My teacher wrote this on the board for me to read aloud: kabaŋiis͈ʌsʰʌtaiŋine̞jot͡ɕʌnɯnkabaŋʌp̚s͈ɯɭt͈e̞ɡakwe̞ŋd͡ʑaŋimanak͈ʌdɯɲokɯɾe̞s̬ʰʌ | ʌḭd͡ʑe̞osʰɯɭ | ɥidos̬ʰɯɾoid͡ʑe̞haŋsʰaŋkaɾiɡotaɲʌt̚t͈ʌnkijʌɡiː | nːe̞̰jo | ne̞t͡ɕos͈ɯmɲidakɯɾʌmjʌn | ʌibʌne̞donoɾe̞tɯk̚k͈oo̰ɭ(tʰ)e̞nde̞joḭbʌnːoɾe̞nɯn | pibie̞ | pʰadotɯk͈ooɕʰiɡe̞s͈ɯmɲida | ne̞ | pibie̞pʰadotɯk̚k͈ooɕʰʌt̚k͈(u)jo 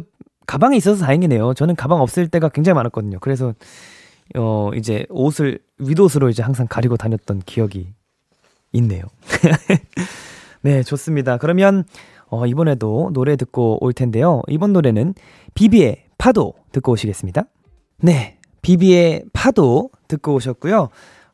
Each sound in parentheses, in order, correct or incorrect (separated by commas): correct, correct